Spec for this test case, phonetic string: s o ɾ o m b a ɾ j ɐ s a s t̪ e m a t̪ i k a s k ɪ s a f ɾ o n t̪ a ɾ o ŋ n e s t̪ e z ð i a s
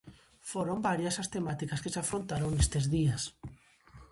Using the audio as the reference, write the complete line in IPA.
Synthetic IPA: f o ɾ o m b a ɾ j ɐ s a s t̪ e m a t̪ i k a s k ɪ s a f ɾ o n t̪ a ɾ o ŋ n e s t̪ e z ð i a s